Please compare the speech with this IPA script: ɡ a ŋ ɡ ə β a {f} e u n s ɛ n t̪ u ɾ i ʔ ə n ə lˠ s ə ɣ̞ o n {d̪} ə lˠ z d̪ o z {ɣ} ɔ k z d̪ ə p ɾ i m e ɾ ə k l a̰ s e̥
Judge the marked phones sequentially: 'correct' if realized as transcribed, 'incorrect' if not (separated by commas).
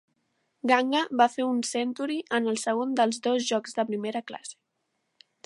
correct, correct, incorrect